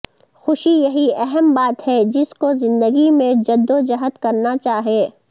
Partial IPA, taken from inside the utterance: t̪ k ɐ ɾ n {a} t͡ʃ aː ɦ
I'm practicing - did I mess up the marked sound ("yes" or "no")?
no